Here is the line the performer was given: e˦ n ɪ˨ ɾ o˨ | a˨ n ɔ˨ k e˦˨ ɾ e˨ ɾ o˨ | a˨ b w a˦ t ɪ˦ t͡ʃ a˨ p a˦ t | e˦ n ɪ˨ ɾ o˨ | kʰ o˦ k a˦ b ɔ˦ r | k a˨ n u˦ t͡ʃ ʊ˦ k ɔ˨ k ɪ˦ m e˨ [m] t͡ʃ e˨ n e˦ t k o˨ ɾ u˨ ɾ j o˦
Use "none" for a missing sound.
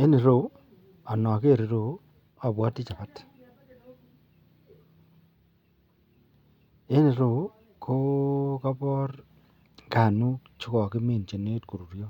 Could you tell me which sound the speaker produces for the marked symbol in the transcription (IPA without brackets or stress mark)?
n